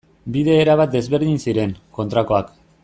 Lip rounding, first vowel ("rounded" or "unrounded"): unrounded